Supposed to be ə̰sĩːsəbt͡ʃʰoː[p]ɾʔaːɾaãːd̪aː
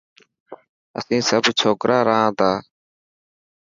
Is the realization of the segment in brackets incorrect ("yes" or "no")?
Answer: yes